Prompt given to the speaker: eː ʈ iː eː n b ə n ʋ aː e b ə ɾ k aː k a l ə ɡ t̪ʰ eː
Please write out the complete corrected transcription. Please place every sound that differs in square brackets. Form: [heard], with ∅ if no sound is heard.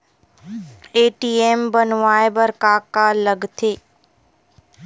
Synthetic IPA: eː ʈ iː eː [m] b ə n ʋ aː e b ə ɾ k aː k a l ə ɡ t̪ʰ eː